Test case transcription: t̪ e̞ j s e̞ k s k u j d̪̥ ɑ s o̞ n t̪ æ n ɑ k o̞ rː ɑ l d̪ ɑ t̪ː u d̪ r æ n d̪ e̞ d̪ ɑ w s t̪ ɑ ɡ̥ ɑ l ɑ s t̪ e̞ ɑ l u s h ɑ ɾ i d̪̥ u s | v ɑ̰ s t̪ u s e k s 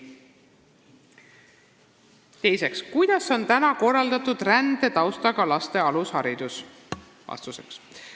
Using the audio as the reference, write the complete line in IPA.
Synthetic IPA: t̪ e̞ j s e̞ k s k u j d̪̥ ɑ s o̞ n t̪ æ n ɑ k o̞ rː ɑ l d̪ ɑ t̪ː u d̪ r æ n d̪ e̞ t̪ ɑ w s t̪ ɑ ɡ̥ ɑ l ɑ s t̪ e̞ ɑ l u s h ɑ ɾ i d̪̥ u s | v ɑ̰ s t̪ u s e k s